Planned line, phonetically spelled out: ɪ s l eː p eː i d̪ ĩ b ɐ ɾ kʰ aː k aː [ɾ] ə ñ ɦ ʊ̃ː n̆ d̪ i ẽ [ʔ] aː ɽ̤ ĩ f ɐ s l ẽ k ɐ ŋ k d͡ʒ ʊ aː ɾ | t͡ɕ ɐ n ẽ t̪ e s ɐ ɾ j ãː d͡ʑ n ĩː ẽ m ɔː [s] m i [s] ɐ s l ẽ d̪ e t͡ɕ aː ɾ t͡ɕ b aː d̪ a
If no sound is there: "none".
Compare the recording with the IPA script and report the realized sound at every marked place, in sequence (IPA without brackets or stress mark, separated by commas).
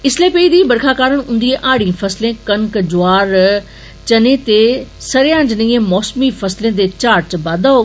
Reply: ɾ, ʔ, s, f